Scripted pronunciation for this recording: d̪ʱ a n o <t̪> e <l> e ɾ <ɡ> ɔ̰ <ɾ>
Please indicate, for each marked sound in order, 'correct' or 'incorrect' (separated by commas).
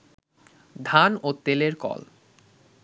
correct, correct, incorrect, incorrect